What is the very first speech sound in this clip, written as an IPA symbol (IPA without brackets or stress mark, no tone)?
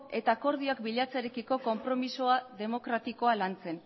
e̞